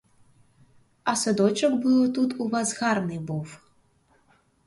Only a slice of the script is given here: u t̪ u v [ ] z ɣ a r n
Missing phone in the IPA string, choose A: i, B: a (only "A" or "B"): B